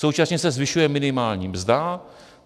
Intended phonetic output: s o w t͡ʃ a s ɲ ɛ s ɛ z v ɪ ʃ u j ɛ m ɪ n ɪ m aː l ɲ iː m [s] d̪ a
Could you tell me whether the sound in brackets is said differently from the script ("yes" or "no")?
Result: yes